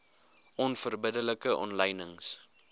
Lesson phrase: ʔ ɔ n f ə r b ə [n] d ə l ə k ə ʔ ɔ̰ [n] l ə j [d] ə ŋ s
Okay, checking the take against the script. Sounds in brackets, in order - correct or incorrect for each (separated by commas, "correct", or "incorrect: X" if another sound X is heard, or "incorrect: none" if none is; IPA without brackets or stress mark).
incorrect: none, correct, incorrect: n